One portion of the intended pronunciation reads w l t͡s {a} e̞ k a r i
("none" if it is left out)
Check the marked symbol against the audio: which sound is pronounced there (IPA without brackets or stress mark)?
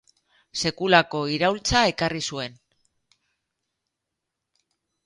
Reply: a